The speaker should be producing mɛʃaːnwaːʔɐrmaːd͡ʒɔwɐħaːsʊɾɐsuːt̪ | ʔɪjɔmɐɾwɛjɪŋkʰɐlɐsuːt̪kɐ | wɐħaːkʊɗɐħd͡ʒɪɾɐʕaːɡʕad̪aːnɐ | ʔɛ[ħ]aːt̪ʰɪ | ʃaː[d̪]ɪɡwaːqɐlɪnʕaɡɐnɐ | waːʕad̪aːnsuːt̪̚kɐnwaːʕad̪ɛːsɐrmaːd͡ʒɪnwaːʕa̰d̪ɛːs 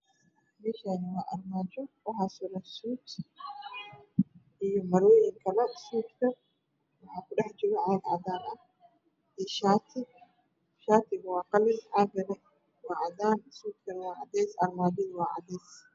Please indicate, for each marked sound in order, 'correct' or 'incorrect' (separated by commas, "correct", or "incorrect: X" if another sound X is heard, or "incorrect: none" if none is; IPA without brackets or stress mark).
incorrect: ʃ, incorrect: t̪